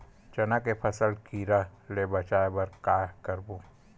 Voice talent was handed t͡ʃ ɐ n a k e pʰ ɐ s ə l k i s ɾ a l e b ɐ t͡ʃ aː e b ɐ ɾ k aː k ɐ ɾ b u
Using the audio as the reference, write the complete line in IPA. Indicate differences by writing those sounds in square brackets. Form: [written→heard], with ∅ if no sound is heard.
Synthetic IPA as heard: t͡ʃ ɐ n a k e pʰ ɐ s ə l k i [s→∅] ɾ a l e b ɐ t͡ʃ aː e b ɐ ɾ k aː k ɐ ɾ b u